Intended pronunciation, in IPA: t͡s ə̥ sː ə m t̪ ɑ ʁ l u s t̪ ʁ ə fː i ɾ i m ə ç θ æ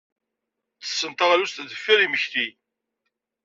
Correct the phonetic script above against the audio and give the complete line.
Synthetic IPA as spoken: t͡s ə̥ sː ə n t̪ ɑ ʁ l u s t̪ ð ə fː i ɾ i m ə ç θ i